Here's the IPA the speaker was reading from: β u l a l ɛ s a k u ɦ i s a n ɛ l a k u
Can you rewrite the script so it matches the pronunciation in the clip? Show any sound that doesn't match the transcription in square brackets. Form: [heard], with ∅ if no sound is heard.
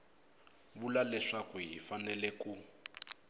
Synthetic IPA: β u l a l ɛ [ʂ] a k u ɦ i [f] a n ɛ l [ɛ] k u